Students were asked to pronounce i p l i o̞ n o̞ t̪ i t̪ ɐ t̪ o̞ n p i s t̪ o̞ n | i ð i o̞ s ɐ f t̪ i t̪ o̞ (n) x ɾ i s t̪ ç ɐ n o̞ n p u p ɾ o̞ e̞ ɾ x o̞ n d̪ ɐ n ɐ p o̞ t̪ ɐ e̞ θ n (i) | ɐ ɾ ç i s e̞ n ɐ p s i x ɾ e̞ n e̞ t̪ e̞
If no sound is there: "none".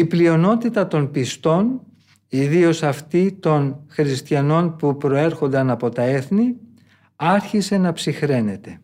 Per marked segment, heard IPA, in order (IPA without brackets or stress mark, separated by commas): n, i